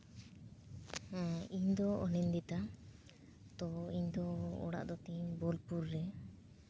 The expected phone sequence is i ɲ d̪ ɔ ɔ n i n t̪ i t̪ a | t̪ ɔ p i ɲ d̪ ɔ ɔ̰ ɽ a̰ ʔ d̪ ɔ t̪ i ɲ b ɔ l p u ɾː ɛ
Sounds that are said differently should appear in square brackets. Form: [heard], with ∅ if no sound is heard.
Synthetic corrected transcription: i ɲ d̪ ɔ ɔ n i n [d̪] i t̪ a | t̪ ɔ [∅] i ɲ d̪ ɔ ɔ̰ ɽ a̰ ʔ d̪ ɔ t̪ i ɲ b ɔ l p u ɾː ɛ